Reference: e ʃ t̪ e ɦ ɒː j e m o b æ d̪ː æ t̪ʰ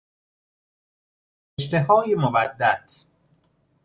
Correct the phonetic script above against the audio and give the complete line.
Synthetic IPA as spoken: e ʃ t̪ e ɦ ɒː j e m o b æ d̪ː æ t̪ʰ